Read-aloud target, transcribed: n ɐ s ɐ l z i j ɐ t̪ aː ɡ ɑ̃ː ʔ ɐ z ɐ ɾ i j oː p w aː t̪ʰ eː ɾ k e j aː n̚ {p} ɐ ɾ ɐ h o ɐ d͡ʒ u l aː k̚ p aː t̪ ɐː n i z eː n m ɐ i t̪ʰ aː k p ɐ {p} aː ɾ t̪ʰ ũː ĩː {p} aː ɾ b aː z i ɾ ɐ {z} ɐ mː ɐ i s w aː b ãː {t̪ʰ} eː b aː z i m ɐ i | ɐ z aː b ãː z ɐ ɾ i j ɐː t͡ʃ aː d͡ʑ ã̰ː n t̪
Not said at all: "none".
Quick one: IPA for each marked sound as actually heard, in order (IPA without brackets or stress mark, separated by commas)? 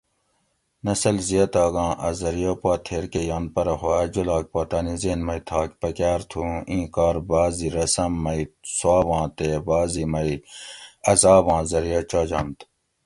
p, k, k, s, t̪